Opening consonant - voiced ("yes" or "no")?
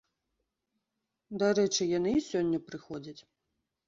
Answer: yes